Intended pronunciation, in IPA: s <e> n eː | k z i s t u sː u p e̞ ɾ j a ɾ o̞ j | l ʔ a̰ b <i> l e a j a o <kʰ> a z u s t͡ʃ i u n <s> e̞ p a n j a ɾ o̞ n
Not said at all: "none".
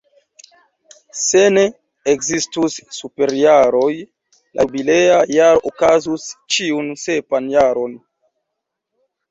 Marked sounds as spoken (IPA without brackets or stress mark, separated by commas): e, i, k, s